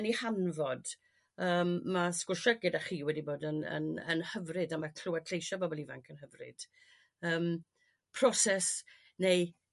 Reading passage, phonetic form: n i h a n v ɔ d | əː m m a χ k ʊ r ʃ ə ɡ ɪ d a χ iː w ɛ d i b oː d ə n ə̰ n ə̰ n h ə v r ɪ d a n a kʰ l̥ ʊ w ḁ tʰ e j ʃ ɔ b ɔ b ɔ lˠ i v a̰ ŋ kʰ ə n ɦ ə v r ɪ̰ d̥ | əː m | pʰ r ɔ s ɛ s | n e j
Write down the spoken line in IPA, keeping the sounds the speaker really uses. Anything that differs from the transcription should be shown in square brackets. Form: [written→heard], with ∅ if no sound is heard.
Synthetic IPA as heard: n i h a n v ɔ d | əː m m a [χ→s] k ʊ r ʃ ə ɡ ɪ d a χ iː w ɛ d i b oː d ə n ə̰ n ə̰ n h ə v r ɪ d a [n→m] a kʰ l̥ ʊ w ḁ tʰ e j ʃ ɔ b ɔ b ɔ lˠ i v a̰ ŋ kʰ ə n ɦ ə v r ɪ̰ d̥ | əː m | pʰ r ɔ s ɛ s | n e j